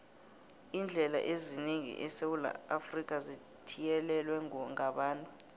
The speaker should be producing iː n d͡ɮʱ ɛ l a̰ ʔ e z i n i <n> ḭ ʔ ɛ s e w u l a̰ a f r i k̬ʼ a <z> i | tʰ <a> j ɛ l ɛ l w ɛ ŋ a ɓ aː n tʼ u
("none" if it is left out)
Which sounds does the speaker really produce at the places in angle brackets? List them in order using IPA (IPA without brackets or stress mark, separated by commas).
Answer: ŋ, z, i